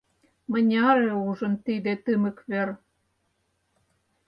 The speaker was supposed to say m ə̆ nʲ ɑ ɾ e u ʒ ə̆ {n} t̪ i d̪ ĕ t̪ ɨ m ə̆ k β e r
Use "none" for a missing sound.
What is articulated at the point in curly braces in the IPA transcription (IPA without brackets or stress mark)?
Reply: n